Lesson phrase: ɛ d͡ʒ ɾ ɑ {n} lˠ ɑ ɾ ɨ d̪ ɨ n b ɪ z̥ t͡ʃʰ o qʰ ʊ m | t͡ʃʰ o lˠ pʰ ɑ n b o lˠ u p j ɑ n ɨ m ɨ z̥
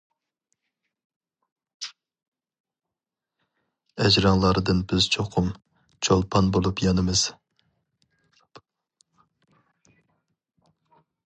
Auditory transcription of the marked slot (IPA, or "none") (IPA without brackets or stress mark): ŋ